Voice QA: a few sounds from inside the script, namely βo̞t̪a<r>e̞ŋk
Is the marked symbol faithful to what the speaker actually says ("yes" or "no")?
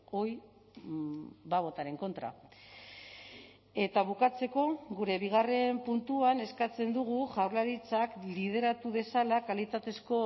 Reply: no